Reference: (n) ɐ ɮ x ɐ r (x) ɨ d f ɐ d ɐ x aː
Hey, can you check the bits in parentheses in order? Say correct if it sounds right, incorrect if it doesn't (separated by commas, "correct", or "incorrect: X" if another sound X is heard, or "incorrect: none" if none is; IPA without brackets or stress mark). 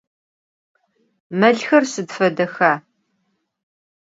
incorrect: m, incorrect: s